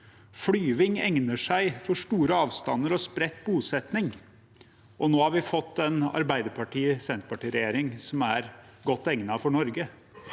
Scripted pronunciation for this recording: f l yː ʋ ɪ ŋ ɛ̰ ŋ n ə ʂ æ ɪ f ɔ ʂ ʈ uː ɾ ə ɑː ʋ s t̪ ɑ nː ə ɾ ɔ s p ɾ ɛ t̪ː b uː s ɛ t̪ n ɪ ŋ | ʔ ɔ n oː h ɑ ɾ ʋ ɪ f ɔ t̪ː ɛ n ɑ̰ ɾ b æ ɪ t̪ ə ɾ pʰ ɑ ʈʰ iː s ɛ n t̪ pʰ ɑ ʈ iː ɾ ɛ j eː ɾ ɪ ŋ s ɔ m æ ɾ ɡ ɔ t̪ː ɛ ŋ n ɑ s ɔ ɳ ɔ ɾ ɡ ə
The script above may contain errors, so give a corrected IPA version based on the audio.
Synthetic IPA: f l yː ʋ ɪ ŋ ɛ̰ ŋ n ə ʂ æ ɪ f ɔ ʂ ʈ uː ɾ ə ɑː ʋ s t̪ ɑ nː ə ɾ ɔ s p ɾ ɛ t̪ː b uː s ɛ t̪ n ɪ ŋ | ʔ ɔ n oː h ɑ ɾ ʋ ɪ f ɔ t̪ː ɛ n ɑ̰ ɾ b æ ɪ d̪ ə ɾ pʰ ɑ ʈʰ iː s ɛ n t̪ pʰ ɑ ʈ iː ɾ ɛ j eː ɾ ɪ ŋ s ɔ m æ ɾ ɡ ɔ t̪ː ɛ ŋ n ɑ f ɔ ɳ ɔ ɾ ɡ ə